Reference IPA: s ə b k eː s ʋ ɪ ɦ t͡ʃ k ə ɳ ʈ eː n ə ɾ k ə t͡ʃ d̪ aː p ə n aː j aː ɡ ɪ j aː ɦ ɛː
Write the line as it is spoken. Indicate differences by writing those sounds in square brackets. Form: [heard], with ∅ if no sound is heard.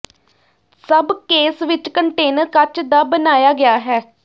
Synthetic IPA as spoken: s ə b k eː s ʋ ɪ [∅] t͡ʃ k ə ɳ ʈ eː n ə ɾ k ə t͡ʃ d̪ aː [b] ə n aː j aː ɡ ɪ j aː ɦ ɛː